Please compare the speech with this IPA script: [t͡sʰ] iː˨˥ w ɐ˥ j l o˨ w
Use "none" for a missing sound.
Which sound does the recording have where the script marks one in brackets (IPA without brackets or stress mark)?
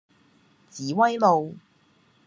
t͡s